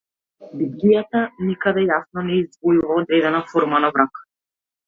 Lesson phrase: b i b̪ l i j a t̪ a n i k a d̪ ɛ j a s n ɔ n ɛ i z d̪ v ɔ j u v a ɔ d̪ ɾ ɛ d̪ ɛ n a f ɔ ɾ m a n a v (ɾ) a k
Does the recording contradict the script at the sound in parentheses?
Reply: no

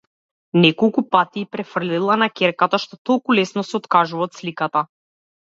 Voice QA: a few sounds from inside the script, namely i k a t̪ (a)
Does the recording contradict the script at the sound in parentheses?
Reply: no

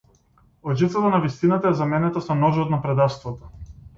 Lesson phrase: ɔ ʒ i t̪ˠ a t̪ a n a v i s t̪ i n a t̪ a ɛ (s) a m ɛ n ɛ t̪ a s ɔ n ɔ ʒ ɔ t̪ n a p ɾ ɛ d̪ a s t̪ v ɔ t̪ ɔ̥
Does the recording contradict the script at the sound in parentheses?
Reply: yes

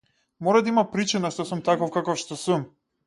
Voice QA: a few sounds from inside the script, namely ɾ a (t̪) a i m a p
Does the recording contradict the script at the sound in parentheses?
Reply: yes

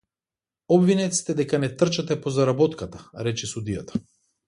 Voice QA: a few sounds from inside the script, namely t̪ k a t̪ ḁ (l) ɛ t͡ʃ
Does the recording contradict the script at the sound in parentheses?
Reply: yes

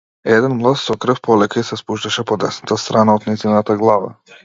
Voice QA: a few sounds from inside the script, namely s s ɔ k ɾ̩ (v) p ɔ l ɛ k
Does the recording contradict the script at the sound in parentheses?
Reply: yes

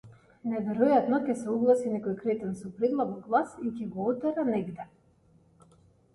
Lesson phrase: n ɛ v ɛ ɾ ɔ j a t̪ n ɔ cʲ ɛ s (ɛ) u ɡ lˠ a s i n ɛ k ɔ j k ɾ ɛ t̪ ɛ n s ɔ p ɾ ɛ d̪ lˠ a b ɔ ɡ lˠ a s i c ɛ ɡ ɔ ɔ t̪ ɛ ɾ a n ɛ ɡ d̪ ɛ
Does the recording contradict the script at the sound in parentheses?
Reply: no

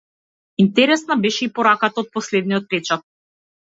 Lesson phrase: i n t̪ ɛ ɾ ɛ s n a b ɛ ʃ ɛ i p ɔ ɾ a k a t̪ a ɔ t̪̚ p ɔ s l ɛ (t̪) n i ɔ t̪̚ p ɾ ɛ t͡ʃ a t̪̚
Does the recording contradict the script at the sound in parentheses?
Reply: yes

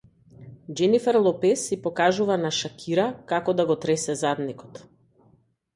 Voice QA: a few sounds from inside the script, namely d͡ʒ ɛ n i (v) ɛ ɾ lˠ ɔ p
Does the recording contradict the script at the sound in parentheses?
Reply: yes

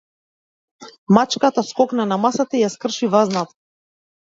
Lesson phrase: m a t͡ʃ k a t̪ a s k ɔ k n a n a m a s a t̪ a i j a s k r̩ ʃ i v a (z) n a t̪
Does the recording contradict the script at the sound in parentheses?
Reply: no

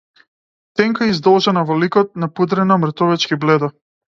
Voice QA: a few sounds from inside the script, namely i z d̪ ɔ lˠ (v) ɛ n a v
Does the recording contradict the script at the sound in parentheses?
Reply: yes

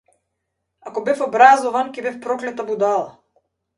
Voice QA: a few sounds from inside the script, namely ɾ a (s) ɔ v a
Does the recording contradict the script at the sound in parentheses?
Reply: yes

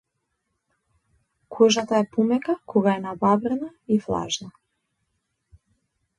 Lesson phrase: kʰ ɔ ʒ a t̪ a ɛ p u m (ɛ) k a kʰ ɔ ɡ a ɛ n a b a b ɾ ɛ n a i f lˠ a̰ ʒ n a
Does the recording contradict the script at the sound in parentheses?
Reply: no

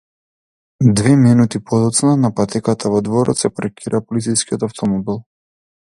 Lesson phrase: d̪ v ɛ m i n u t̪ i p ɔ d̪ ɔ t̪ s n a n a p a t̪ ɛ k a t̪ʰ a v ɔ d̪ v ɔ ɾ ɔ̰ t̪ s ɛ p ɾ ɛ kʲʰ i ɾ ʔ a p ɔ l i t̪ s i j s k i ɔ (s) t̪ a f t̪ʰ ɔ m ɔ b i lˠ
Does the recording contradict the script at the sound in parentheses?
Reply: yes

